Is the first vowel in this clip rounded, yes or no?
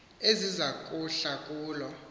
no